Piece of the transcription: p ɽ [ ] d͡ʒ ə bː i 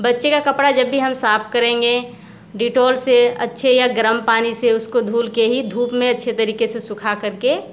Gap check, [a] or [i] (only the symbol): a